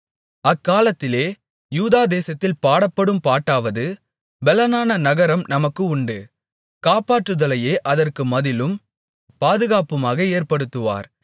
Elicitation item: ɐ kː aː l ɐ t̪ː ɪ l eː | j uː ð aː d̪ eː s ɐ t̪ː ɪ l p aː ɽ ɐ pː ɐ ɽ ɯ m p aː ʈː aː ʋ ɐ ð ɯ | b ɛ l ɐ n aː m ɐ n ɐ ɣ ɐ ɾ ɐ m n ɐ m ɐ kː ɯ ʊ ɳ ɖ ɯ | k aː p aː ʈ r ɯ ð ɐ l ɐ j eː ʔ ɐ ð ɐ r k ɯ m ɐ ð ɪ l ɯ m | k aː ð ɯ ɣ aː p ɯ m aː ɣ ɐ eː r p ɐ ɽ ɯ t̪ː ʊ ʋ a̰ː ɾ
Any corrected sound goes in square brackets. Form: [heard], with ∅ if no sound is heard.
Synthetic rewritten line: ɐ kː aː l ɐ t̪ː ɪ l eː | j uː ð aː d̪ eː s ɐ t̪ː ɪ l p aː ɽ ɐ pː ɐ ɽ ɯ m p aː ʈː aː ʋ ɐ ð ɯ | b ɛ l ɐ n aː [n] ɐ n ɐ ɣ ɐ ɾ ɐ m n ɐ m ɐ kː ɯ ʊ ɳ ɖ ɯ | k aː p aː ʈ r ɯ ð ɐ l ɐ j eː ʔ ɐ ð ɐ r k ɯ m ɐ ð ɪ l ɯ m | [p] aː ð ɯ ɣ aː p ɯ m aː ɣ ɐ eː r p ɐ ɽ ɯ t̪ː [ɯ] ʋ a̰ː ɾ